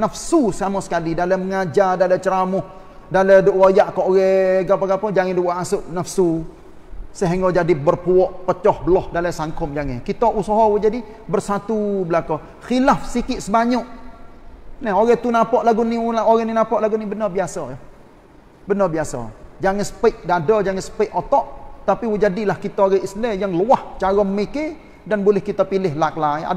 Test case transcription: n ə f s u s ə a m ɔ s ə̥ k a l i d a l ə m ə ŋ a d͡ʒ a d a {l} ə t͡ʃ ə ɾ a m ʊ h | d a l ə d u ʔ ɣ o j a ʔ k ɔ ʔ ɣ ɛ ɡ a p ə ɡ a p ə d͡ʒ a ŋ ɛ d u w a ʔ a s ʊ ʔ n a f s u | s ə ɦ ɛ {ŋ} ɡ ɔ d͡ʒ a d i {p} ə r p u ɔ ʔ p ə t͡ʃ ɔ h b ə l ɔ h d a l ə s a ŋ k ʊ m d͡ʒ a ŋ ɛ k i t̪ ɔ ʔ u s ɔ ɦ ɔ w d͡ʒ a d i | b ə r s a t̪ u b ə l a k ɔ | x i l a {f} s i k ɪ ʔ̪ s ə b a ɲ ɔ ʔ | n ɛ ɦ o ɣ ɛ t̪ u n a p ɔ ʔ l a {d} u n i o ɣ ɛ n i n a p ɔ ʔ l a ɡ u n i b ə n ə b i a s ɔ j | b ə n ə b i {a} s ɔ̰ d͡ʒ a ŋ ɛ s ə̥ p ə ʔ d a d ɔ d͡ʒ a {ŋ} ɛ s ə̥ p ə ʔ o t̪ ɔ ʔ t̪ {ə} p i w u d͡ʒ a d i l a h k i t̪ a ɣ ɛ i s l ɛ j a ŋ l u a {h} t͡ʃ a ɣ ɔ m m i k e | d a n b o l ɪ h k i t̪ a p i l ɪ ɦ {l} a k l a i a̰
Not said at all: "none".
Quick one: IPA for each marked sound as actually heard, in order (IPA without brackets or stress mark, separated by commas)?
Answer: l, ŋ, b, f, ɡ, a, ŋ, a, h, l